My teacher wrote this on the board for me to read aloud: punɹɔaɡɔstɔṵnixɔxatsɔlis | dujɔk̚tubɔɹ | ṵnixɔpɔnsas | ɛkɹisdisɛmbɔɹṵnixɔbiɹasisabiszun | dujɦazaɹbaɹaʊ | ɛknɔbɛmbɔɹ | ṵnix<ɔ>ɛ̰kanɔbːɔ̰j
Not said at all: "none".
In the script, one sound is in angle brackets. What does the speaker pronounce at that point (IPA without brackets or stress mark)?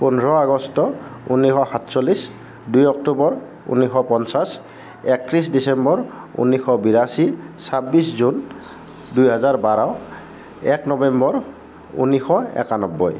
ɔ